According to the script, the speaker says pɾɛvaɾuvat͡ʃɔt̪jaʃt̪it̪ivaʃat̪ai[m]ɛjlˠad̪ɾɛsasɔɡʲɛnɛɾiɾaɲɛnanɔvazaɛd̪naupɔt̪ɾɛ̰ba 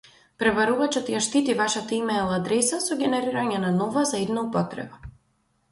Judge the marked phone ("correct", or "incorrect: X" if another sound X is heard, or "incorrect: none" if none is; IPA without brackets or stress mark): correct